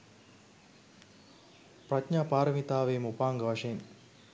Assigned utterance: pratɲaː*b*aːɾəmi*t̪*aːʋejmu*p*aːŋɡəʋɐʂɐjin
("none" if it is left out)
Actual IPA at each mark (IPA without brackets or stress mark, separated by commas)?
p, t̪, p